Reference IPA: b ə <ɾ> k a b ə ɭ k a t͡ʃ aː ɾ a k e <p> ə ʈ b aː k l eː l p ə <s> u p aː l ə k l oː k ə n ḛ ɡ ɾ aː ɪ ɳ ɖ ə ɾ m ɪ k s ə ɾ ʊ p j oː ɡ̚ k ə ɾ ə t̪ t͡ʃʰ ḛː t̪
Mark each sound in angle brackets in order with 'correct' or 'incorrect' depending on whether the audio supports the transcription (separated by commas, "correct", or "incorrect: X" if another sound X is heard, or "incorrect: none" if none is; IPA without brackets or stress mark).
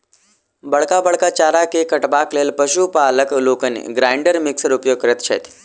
incorrect: ɭ, incorrect: k, incorrect: ʃ